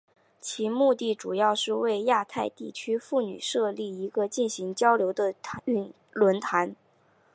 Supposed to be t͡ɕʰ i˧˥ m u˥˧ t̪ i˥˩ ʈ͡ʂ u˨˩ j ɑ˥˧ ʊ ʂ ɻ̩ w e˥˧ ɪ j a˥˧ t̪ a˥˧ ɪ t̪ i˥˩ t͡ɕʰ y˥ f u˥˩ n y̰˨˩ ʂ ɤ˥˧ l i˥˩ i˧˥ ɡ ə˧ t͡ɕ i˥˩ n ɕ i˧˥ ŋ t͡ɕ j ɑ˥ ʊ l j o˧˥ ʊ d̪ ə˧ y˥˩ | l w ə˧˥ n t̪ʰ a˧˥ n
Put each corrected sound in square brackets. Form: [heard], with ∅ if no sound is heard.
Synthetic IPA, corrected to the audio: t͡ɕʰ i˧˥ m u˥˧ t̪ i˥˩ ʈ͡ʂ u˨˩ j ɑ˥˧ ʊ ʂ ɻ̩ w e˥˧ ɪ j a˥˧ [t̪ʰ] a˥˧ ɪ t̪ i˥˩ t͡ɕʰ y˥ f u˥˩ n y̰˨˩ ʂ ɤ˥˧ l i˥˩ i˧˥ ɡ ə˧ t͡ɕ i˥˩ n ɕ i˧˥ ŋ t͡ɕ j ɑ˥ ʊ l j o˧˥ ʊ d̪ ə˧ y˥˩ | l w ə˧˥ n t̪ʰ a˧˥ n